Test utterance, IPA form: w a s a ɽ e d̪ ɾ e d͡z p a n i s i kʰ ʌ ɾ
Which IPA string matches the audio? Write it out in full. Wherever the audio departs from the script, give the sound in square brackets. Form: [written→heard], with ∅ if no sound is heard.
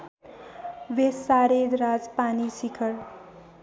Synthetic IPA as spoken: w [a→e] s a [ɽ→ɾ] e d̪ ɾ [e→a] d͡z p a n i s i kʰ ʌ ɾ